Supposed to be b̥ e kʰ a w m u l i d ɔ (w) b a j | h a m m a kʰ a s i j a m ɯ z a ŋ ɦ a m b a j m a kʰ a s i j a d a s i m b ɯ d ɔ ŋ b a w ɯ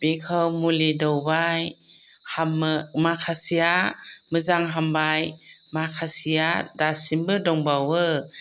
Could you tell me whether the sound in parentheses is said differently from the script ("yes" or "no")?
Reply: no